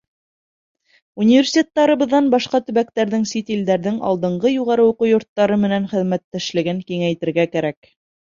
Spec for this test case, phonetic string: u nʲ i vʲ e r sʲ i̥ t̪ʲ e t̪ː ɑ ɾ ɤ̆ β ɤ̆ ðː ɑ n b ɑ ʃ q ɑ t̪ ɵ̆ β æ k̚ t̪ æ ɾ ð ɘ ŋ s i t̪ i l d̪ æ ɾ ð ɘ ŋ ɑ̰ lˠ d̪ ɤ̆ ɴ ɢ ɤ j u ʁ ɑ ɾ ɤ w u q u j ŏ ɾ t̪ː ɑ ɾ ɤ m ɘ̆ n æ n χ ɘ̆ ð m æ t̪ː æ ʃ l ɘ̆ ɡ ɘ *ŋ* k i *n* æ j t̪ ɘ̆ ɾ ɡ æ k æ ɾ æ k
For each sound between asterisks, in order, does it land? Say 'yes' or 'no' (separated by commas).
yes, no